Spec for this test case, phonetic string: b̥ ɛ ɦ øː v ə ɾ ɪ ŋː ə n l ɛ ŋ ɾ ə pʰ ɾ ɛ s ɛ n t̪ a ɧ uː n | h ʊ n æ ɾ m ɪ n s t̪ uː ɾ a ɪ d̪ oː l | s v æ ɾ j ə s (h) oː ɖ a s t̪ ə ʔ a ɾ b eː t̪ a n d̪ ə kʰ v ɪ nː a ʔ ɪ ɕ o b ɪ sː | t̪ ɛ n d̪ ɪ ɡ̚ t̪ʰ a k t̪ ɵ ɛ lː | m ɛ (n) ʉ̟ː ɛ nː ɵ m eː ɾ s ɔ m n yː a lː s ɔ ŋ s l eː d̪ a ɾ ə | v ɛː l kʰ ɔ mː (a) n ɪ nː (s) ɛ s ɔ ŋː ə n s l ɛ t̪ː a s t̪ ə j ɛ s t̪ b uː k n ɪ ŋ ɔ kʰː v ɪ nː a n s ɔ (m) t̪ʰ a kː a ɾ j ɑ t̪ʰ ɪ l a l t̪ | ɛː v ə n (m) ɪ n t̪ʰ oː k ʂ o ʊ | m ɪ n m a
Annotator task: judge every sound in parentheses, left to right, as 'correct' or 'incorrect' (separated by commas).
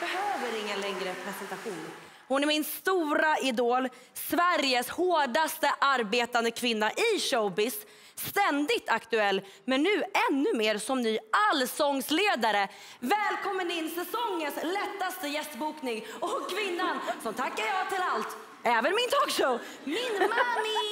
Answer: correct, incorrect, incorrect, correct, correct, correct